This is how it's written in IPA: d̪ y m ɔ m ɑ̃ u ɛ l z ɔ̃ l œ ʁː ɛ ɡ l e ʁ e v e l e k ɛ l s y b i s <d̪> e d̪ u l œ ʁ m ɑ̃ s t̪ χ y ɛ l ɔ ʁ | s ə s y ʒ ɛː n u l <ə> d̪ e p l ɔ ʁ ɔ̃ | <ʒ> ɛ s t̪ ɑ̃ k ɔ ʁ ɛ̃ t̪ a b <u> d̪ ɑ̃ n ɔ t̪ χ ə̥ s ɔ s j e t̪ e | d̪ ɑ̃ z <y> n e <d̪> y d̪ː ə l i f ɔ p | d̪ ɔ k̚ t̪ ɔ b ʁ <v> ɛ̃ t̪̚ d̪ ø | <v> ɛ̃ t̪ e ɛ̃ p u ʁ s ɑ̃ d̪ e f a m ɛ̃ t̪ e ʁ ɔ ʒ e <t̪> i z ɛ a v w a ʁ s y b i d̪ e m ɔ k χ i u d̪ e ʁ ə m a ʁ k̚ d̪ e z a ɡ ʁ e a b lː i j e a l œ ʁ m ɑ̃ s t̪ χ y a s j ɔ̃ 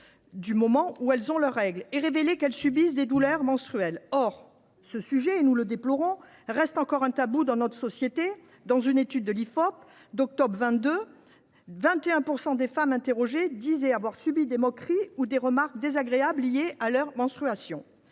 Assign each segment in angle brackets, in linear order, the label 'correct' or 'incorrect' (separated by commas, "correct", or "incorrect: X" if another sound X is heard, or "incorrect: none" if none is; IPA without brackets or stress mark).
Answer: correct, correct, incorrect: ʁ, correct, correct, incorrect: t̪, correct, correct, incorrect: d̪